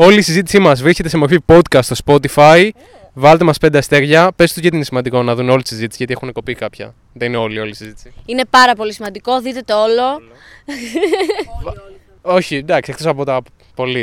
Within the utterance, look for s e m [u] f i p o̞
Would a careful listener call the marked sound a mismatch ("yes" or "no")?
yes